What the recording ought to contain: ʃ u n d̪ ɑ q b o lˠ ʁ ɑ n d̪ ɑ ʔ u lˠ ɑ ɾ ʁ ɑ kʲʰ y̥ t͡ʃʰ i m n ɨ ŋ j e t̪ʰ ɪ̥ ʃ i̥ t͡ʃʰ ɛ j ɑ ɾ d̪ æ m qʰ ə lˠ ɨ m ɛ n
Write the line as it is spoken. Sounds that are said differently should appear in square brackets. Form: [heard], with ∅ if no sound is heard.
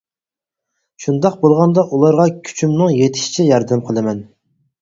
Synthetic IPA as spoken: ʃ u n d̪ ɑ q b o lˠ ʁ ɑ n d̪ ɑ ʔ u lˠ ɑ ɾ ʁ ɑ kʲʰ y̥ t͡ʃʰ [y] m n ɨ ŋ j e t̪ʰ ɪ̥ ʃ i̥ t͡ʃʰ ɛ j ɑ ɾ d̪ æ m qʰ ə lˠ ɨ m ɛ n